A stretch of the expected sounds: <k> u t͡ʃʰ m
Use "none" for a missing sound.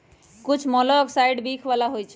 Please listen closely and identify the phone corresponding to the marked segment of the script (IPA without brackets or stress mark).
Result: k